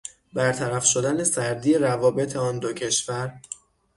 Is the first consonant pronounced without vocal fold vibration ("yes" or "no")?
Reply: no